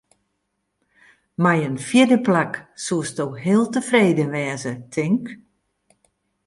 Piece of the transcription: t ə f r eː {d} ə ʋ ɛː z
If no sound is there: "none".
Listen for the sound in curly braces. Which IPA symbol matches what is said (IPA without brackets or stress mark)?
d